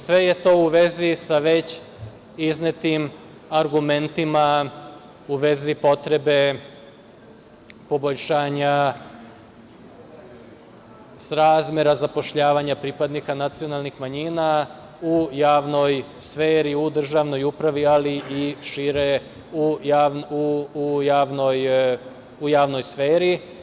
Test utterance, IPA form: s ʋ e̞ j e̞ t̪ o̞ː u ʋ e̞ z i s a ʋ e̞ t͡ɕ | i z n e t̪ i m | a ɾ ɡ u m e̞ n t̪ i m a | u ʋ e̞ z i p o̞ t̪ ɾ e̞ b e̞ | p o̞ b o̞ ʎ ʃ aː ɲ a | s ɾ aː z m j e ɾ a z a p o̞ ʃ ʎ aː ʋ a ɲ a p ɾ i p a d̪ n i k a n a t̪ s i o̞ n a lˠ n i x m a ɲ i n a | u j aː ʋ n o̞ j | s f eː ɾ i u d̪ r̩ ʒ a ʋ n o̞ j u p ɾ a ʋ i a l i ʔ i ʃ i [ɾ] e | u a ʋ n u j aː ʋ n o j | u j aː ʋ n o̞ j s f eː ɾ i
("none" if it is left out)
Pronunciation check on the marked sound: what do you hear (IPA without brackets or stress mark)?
ɾ